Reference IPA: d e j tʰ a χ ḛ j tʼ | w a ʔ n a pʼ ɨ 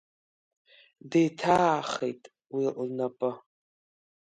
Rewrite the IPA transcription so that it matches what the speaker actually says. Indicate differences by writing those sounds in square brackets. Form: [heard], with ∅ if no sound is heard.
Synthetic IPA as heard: d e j tʰ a χ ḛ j tʼ | w [i] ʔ n a pʼ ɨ